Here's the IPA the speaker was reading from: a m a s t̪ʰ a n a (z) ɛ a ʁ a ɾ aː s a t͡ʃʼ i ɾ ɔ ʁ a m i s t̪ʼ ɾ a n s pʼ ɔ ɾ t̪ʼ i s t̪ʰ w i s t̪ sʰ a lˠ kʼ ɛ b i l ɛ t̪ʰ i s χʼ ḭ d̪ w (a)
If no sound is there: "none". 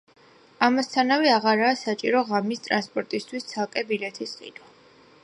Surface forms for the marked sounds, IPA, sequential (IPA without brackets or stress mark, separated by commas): v, a